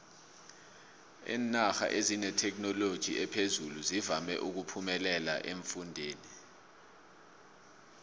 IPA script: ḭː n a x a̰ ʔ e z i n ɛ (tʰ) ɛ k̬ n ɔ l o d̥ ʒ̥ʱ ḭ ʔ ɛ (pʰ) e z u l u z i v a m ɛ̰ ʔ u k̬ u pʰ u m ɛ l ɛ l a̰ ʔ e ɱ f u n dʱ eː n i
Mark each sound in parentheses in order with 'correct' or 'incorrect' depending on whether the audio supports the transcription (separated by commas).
correct, correct